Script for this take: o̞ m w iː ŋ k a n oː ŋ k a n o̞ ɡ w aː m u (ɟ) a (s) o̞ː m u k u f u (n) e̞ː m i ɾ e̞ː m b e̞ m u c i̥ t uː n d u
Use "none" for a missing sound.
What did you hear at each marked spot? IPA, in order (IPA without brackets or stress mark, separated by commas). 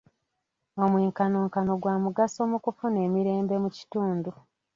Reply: ɡ, s, n